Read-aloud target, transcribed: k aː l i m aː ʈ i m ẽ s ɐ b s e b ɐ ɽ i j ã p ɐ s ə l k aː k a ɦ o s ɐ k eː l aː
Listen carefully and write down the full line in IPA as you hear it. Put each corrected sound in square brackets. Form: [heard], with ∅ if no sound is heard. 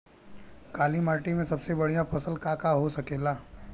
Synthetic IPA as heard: k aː l i m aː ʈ i m ẽ s ɐ b s e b ɐ ɽ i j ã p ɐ s ə l k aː k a ɦ o s ɐ k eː l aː